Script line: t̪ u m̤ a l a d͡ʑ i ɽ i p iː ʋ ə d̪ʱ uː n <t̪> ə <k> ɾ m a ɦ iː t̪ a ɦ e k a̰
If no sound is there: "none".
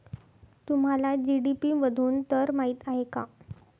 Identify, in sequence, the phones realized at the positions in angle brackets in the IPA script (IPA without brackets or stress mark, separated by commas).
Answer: t̪, none